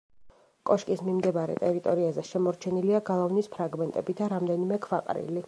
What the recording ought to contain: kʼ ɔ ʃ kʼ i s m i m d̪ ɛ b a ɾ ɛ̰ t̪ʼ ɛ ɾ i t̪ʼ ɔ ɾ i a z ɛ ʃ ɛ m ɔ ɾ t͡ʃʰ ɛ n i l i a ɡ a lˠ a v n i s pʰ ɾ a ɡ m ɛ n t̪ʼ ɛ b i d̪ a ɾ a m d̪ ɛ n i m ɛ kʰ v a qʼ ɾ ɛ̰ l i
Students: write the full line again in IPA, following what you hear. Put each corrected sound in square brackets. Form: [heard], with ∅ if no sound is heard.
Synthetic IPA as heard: kʼ ɔ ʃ kʼ i s m i m d̪ ɛ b a ɾ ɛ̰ t̪ʼ ɛ ɾ i t̪ʼ ɔ ɾ i a z ɛ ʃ ɛ m ɔ ɾ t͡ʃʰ ɛ n i l i a ɡ a lˠ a v n i s pʰ ɾ a ɡ m ɛ n t̪ʼ ɛ b i d̪ a ɾ a m d̪ ɛ n i m ɛ kʰ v a qʼ ɾ [ḭ] l i